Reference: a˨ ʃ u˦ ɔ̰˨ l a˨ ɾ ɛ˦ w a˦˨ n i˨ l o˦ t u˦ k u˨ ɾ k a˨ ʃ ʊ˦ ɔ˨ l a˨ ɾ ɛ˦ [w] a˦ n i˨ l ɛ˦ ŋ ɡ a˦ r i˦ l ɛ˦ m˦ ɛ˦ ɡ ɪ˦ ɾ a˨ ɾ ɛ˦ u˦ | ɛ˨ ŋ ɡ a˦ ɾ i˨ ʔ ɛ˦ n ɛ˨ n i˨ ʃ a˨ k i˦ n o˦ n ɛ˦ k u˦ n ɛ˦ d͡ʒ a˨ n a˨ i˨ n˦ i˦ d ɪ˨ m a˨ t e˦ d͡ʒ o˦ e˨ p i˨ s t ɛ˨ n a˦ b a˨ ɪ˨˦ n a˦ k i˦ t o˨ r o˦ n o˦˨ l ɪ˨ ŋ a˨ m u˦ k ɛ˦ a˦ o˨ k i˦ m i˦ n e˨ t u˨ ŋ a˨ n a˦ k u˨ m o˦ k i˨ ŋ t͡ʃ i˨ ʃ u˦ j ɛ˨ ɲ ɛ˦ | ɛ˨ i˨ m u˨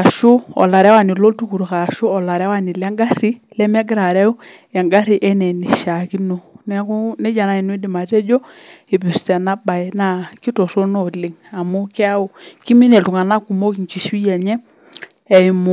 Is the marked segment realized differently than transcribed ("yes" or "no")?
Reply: no